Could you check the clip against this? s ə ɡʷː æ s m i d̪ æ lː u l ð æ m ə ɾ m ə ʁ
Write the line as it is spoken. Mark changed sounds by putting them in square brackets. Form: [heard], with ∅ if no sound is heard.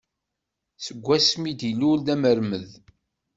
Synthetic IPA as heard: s ə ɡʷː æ s m i d̪ [i] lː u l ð æ m ə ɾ m ə [ð]